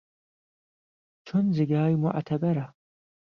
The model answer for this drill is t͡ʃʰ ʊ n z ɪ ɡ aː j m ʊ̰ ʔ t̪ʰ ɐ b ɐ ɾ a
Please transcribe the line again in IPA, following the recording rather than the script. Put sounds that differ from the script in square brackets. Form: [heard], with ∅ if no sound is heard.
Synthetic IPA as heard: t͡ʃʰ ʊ n z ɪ ɡ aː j m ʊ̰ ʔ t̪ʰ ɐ b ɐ ɾ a